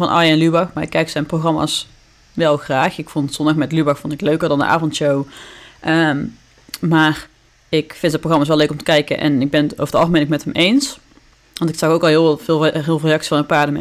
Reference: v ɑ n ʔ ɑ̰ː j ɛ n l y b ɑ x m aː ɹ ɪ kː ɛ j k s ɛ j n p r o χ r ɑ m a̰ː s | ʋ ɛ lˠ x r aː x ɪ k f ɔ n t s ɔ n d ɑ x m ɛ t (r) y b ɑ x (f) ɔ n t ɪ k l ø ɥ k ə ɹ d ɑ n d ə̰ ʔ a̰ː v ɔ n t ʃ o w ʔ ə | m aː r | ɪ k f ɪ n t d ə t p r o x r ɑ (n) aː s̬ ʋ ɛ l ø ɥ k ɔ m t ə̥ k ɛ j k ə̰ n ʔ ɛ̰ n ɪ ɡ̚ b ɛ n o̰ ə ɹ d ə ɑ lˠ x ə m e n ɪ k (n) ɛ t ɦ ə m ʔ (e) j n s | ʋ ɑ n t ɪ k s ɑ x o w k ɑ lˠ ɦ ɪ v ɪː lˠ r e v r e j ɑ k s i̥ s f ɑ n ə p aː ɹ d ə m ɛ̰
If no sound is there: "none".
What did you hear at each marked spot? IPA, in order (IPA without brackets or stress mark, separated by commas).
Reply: l, f, m, m, e